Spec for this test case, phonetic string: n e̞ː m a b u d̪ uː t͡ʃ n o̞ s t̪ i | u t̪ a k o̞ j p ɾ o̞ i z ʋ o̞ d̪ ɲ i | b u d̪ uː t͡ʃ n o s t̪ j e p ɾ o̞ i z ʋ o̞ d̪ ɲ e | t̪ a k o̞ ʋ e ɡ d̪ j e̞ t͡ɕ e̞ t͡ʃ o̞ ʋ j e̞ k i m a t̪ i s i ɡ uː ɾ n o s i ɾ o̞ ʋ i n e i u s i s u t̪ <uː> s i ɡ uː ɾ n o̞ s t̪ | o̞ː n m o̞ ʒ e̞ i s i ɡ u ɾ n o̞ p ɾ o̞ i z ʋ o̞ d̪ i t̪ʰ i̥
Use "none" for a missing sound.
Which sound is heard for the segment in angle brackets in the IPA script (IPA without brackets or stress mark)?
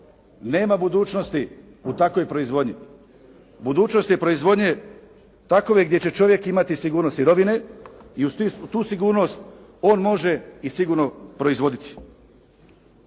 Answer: uː